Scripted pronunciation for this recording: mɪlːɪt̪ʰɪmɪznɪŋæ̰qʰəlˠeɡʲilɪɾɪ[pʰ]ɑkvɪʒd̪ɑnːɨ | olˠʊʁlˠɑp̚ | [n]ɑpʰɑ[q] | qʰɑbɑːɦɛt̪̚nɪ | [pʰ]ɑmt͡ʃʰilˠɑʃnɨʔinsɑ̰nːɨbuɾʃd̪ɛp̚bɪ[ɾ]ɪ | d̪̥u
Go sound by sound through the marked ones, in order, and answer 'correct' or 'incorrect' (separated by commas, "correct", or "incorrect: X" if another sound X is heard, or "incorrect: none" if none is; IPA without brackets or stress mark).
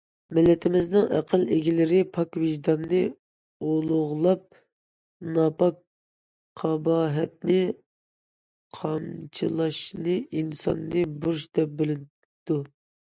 correct, correct, incorrect: k, incorrect: qʰ, incorrect: l